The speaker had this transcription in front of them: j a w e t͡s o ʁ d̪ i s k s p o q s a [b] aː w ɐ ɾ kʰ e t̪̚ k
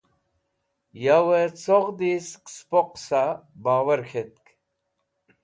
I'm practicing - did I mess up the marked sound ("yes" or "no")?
no